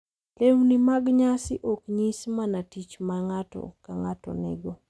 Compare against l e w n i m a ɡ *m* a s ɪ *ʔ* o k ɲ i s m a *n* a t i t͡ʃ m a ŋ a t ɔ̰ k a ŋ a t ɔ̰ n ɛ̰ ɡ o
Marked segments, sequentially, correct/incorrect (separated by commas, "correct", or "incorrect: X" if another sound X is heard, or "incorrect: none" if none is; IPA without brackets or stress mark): incorrect: ɲ, correct, correct